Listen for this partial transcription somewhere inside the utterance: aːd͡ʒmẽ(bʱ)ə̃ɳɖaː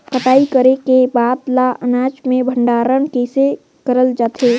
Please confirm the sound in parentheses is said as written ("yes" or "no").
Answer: yes